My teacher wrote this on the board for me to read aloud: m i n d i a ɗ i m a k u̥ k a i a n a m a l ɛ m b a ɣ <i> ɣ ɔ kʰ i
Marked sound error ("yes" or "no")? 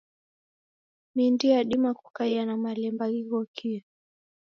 no